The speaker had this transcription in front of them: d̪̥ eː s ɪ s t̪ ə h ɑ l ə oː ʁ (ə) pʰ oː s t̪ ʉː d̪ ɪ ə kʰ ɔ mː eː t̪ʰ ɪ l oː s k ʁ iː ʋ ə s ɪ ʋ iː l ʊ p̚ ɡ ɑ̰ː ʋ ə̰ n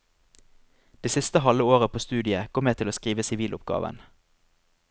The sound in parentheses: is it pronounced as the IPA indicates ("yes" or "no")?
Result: yes